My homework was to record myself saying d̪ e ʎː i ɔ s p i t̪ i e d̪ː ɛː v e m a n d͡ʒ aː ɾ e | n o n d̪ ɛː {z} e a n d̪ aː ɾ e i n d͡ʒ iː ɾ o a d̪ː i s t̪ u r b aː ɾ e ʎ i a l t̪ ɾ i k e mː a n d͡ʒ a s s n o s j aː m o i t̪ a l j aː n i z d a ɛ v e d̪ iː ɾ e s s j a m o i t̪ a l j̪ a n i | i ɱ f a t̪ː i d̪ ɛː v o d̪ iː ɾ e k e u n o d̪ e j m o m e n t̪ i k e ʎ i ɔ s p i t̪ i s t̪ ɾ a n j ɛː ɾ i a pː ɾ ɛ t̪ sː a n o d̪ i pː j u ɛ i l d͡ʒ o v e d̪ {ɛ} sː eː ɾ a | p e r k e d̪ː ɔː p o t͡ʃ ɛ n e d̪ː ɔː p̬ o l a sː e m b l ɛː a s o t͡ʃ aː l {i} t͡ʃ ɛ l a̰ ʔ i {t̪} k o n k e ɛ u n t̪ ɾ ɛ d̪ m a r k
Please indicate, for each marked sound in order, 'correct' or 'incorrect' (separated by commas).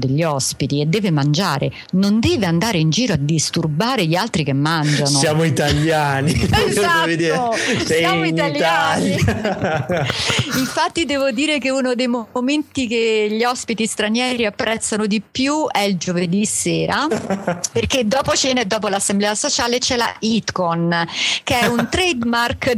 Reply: incorrect, incorrect, incorrect, correct